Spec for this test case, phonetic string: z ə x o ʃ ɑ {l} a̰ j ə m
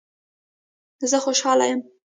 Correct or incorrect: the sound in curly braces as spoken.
correct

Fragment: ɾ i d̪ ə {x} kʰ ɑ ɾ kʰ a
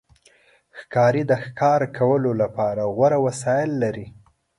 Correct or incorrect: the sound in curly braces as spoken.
correct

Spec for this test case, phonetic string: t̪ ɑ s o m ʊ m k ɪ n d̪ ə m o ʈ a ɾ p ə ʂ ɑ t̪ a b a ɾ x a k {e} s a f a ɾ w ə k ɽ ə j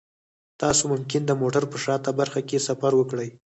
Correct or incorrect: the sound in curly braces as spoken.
correct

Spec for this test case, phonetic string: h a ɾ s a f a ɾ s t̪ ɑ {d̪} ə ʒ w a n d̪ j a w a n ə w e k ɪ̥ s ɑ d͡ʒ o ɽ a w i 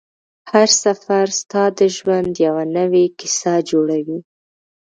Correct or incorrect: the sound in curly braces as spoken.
correct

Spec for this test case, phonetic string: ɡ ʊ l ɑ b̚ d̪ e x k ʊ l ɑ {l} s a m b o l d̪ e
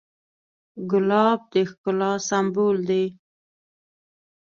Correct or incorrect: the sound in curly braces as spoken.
incorrect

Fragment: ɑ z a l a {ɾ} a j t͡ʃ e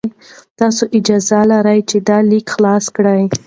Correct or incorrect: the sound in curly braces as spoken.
correct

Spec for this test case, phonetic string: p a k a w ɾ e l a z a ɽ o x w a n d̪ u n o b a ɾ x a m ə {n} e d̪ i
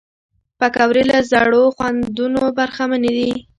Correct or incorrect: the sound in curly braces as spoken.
correct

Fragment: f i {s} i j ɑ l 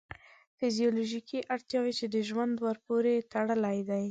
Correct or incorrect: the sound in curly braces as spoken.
incorrect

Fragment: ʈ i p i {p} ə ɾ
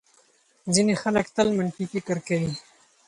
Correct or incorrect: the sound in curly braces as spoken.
incorrect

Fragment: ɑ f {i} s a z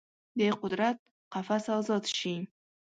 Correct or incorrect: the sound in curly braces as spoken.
incorrect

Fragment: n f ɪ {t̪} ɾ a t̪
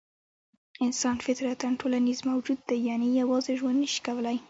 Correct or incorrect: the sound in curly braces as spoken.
correct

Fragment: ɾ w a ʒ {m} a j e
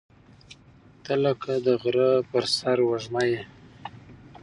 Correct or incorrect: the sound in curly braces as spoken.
correct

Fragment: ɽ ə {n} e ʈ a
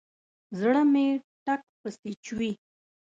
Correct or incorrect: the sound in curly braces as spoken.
incorrect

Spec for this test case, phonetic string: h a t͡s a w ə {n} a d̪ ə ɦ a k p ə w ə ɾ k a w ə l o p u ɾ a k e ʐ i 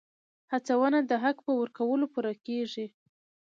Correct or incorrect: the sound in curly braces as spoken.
correct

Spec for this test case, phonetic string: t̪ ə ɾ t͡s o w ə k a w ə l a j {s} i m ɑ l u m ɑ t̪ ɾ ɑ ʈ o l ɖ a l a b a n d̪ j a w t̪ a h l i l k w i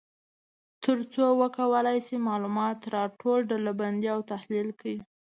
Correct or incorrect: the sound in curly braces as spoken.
correct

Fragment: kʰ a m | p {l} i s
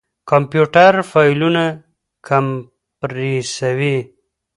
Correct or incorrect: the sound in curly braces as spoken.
incorrect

